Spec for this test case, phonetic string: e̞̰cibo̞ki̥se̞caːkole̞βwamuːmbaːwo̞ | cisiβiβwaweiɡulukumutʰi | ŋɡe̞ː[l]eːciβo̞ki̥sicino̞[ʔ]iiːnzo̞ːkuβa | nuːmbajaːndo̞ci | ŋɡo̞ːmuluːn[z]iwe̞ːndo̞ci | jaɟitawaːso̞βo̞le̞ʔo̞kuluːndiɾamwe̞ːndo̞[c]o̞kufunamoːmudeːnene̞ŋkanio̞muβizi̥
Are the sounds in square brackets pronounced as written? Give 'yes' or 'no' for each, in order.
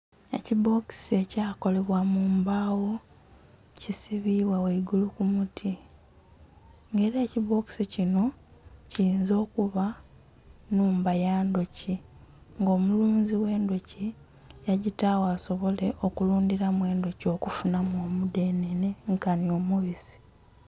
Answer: no, no, yes, yes

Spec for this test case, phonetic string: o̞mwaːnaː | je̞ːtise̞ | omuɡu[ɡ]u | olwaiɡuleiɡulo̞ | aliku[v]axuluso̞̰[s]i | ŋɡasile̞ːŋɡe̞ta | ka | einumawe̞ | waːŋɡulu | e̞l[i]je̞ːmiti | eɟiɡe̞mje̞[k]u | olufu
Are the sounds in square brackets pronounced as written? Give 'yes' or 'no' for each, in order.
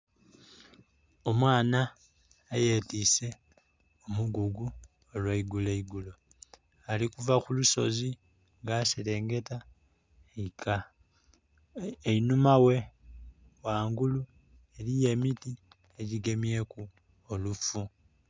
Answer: yes, yes, no, yes, yes

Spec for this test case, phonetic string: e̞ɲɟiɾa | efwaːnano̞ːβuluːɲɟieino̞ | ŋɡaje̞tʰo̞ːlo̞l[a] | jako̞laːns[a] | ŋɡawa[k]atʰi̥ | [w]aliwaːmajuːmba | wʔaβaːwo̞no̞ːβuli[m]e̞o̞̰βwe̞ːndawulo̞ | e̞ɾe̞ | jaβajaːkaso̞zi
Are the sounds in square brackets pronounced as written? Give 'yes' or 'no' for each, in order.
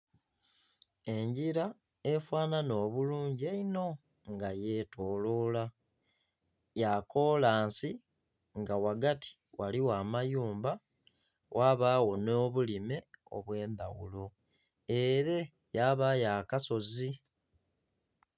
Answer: yes, no, no, yes, yes

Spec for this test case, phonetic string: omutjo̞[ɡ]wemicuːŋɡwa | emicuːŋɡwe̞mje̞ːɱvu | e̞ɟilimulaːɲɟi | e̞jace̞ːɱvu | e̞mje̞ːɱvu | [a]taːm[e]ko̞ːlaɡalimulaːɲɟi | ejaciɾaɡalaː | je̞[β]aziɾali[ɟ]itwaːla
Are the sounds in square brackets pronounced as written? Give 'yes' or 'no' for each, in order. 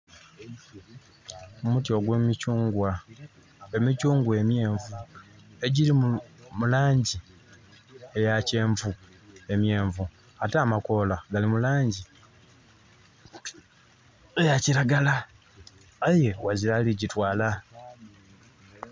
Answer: yes, yes, no, no, yes

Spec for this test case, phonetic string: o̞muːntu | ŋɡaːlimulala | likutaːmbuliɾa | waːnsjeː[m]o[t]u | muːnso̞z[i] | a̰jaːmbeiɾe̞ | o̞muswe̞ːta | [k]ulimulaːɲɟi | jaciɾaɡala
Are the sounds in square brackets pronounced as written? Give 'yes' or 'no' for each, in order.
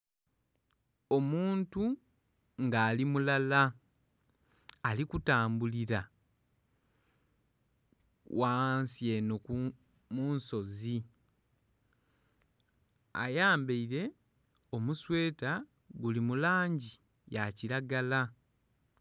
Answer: no, no, yes, no

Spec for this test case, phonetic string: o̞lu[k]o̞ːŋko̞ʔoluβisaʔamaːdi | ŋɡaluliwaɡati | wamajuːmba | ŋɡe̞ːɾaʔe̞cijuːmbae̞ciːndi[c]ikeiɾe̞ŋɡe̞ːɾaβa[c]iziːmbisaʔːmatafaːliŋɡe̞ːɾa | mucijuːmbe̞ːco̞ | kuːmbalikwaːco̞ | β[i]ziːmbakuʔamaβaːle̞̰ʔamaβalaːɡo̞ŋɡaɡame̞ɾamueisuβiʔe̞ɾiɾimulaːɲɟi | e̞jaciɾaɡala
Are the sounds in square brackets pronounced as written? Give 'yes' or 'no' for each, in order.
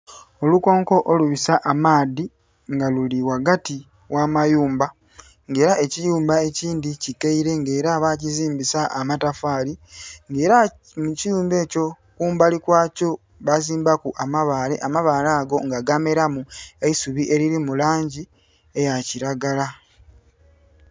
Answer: yes, yes, yes, no

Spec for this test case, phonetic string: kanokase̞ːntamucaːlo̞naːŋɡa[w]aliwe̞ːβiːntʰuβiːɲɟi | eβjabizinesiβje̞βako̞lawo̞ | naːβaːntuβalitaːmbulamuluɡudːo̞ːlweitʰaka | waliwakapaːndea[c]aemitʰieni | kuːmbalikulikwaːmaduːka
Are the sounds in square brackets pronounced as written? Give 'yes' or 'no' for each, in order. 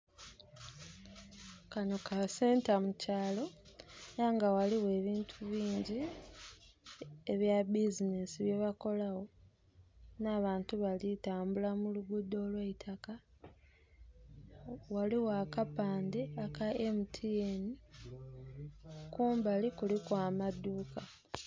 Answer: yes, no

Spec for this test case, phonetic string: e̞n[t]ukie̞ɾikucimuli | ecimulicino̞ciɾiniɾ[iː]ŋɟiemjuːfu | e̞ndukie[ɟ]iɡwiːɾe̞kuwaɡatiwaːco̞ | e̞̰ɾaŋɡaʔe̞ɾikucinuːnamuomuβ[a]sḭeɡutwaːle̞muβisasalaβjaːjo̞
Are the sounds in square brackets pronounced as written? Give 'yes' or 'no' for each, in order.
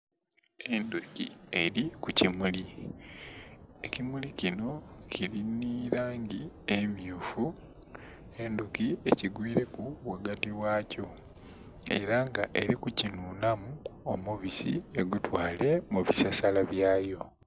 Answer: no, no, no, no

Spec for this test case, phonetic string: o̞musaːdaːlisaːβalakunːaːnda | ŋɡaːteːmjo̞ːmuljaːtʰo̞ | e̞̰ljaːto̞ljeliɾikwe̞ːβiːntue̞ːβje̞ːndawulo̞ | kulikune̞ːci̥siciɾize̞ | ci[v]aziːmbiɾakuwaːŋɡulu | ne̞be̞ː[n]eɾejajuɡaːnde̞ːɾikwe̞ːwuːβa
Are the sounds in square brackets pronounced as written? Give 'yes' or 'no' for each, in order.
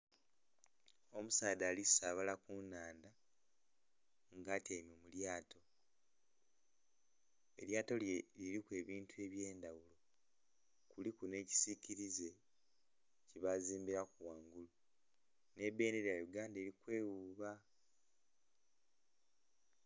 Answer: no, yes

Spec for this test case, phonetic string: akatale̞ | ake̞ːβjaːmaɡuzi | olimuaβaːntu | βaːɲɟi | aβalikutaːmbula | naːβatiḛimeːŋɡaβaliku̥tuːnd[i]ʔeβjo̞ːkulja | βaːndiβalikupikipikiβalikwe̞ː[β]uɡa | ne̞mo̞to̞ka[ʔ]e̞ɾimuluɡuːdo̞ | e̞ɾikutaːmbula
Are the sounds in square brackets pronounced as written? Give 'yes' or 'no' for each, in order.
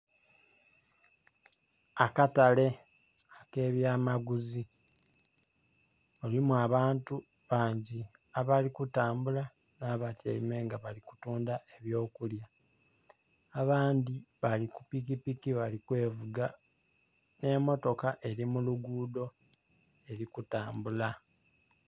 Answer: no, no, yes

